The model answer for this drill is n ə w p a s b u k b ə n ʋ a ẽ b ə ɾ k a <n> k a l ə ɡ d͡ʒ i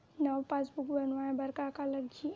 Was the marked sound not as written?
yes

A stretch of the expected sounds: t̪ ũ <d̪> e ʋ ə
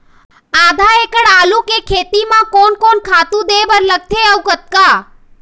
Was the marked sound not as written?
no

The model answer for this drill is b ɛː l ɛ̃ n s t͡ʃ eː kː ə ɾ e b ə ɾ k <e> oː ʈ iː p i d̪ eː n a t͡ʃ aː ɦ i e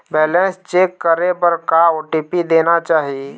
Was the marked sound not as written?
yes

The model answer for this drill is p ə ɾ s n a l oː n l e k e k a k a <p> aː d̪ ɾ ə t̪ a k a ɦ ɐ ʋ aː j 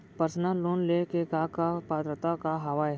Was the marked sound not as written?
no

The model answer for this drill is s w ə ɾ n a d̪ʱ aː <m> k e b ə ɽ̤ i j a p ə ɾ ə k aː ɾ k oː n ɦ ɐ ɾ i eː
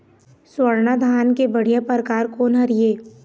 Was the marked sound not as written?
yes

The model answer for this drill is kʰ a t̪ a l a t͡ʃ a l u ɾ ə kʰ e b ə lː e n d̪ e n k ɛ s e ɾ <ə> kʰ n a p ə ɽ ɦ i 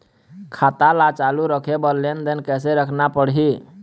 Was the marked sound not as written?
no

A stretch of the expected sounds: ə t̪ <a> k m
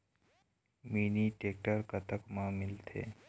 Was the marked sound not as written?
yes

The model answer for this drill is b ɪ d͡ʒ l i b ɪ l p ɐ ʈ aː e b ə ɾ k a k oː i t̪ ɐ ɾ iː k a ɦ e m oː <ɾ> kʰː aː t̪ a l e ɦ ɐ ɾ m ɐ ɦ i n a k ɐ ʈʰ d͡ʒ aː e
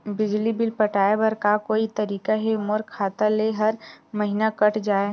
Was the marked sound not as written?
no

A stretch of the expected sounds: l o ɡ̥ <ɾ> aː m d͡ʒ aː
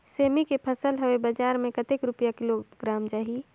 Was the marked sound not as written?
no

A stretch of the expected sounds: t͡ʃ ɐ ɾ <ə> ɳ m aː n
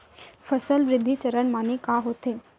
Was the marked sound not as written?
no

